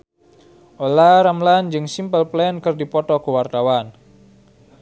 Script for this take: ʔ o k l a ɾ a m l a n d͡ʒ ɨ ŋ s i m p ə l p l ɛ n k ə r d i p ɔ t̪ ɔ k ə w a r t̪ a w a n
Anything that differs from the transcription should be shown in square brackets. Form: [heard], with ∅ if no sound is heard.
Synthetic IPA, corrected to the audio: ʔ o [∅] l a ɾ a m l a n d͡ʒ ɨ ŋ s i m p ə l p l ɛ n k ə r d i p ɔ t̪ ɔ k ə w a r t̪ a w a n